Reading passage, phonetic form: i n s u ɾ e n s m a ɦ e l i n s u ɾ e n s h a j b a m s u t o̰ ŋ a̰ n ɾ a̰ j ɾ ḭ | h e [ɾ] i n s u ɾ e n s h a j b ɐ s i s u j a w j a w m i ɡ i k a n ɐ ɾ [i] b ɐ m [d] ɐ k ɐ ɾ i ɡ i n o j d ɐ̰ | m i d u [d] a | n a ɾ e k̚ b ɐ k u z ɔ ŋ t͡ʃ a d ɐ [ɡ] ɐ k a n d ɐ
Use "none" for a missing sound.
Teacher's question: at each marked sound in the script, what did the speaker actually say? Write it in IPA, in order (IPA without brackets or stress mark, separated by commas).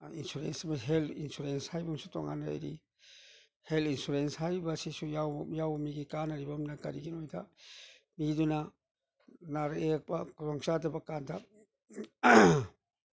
l, i, n, n, b